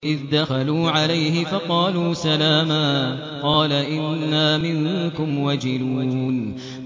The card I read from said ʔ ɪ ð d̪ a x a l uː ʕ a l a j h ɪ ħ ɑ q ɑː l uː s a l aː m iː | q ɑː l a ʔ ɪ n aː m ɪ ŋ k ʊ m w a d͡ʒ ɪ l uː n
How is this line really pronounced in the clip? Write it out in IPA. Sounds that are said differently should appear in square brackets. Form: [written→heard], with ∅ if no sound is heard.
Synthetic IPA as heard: ʔ ɪ ð d̪ a x a l uː ʕ a l a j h ɪ [ħ→f] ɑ q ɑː l uː s a l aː m [iː→aː] | q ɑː l a ʔ ɪ [n→nː] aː m ɪ ŋ k ʊ m w a d͡ʒ ɪ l uː n